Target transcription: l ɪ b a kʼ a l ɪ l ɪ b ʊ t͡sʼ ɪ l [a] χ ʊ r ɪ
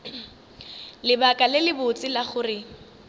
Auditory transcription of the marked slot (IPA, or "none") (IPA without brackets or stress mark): a